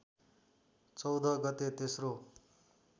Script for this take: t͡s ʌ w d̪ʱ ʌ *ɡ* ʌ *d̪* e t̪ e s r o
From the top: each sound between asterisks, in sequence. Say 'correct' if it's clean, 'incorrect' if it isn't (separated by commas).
correct, incorrect